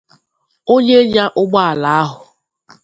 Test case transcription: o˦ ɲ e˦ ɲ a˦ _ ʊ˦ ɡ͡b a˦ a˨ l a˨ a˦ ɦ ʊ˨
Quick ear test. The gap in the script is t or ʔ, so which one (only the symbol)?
ʔ